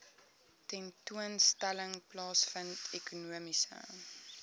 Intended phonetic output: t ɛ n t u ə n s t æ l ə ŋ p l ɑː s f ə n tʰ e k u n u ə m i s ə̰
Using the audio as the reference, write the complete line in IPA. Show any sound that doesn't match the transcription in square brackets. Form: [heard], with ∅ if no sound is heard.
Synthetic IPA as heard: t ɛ n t u ə n s t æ l ə ŋ p l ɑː s f ə n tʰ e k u n u ə m i s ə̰